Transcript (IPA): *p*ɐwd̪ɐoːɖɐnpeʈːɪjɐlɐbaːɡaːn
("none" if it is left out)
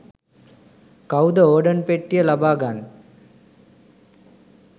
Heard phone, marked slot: k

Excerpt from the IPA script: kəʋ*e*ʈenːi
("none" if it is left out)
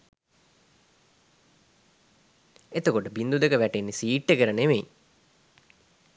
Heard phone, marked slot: æ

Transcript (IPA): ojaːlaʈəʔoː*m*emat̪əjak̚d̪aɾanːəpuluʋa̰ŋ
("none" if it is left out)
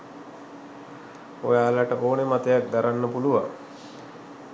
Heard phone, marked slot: n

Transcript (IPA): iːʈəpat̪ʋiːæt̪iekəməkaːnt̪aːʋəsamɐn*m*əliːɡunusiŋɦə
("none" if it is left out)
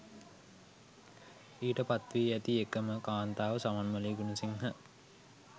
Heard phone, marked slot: m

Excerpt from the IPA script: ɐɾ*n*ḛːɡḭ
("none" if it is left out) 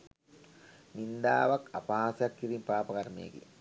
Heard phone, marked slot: m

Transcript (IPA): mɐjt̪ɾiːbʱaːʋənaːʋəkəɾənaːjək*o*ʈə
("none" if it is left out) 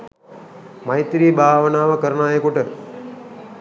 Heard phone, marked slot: u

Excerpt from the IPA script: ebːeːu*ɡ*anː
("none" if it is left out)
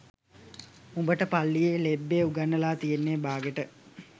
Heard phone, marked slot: ɡ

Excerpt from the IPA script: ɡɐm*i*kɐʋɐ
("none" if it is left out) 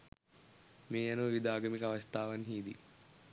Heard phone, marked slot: i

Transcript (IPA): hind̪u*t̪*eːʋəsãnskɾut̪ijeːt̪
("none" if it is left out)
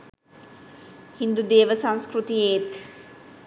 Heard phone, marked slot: d̪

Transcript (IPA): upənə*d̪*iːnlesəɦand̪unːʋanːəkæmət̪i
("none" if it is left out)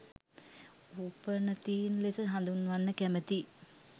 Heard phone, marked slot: t̪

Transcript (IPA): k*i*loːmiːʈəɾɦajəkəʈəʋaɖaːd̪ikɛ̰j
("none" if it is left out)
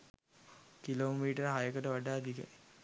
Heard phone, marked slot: i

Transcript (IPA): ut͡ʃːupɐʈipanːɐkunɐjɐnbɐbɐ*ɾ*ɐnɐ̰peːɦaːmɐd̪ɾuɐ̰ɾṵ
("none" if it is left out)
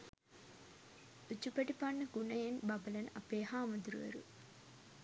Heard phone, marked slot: l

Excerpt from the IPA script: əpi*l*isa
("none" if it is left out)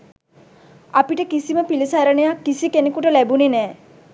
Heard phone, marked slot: l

